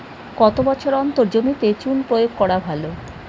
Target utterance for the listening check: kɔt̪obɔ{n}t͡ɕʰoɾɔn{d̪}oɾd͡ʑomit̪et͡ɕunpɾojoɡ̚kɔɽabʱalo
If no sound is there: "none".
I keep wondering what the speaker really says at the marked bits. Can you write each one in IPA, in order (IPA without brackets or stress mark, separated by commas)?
none, t̪